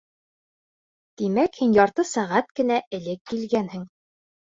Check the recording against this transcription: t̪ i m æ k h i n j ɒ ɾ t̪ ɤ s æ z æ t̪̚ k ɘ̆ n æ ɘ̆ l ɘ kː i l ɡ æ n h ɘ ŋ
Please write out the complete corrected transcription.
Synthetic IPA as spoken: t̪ i m æ k h i n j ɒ ɾ t̪ ɤ s æ ʁ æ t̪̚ k ɘ̆ n æ ɘ̆ l ɘ kː i l ɡ æ n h ɘ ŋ